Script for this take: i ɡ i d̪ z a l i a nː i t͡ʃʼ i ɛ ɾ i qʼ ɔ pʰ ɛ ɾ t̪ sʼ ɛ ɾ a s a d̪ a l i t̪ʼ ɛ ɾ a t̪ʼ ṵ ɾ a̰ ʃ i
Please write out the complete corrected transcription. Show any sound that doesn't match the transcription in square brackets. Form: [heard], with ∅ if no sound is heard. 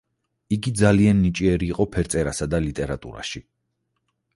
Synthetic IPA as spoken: i ɡ i d̪ z a l i a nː i t͡ʃʼ i ɛ ɾ [iː] qʼ ɔ pʰ ɛ ɾ t̪ sʼ ɛ ɾ a s a d̪ a l i t̪ʼ ɛ ɾ a t̪ʼ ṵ ɾ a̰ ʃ i